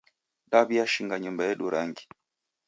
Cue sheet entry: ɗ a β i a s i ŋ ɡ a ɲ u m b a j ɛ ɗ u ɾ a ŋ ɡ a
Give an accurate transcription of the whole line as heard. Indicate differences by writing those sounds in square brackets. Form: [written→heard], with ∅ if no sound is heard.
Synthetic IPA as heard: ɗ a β i a [s→ʃ] i ŋ ɡ a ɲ u m b a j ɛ ɗ u ɾ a ŋ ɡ [a→i]